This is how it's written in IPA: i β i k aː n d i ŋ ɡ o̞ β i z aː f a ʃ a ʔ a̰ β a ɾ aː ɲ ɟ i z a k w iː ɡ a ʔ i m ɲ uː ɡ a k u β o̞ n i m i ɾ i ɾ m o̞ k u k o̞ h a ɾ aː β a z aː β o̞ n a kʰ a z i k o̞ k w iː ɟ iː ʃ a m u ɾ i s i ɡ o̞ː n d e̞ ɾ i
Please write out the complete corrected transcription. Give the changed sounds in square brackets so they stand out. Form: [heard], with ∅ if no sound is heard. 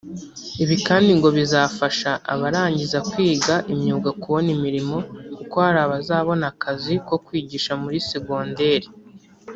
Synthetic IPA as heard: i β i k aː n d i ŋ ɡ o̞ β i z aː f a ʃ a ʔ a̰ β a ɾ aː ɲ ɟ i z a k w iː ɡ a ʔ i m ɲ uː ɡ a k u β o̞ n i m i ɾ i [∅] m o̞ k u k o̞ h a ɾ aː β a z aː β o̞ n a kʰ a z i k o̞ k w iː ɟ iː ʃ a m u ɾ i s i ɡ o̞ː n d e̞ ɾ i